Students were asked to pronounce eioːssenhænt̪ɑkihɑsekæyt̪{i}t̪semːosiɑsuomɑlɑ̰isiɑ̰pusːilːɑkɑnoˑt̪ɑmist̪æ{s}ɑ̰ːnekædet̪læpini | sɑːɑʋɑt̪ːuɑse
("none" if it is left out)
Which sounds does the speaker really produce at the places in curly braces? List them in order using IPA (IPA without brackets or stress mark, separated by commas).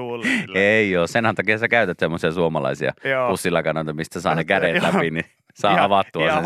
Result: æ, s